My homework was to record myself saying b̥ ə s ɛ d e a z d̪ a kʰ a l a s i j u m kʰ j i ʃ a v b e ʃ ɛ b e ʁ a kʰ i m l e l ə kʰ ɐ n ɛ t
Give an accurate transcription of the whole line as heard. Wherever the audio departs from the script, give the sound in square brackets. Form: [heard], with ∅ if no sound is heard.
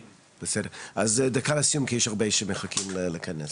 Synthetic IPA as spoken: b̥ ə s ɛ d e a z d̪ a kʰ a l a s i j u m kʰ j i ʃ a [ʁ] b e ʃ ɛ [m] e [χ] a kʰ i m l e l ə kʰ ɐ n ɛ [s]